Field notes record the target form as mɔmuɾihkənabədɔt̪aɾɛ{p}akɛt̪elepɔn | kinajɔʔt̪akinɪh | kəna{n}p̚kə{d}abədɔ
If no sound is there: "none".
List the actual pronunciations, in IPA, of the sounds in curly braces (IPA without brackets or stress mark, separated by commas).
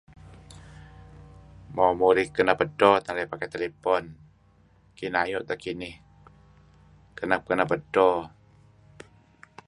p, none, n